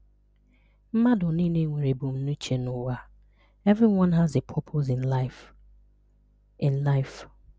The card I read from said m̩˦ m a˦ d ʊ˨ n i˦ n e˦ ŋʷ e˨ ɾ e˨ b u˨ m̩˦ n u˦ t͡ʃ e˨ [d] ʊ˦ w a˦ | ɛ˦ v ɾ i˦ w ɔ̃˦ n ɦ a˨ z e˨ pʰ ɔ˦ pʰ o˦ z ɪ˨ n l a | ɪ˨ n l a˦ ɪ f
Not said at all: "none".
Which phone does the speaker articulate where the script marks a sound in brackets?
n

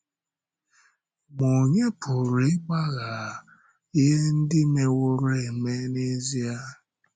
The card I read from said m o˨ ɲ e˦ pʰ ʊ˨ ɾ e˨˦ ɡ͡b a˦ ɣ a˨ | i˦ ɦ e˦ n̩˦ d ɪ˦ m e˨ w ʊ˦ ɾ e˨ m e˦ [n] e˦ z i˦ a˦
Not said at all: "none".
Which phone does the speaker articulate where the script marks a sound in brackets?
n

